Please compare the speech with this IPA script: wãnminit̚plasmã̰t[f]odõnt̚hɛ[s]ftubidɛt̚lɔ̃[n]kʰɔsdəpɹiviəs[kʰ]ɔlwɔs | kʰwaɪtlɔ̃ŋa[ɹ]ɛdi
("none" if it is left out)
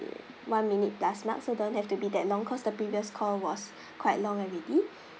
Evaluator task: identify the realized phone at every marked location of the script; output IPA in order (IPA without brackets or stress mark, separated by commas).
s, none, ŋ, kʰ, ɹ